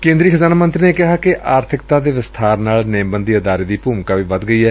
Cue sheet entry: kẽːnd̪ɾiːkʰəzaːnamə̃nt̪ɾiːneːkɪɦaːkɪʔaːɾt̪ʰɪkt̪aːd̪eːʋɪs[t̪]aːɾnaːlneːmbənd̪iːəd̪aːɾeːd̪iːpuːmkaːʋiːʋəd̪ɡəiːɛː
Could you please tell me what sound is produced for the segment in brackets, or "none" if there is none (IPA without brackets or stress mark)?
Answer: t̪ʰ